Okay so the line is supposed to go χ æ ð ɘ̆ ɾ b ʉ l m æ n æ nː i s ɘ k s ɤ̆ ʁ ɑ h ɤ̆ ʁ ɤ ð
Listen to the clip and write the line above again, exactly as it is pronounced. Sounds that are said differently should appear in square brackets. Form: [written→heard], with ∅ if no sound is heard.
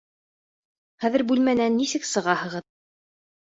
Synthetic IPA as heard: χ æ ð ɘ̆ ɾ b ʉ l m æ n æ nː i s ɘ k s ɤ̆ ʁ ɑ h ɤ̆ ʁ ɤ ð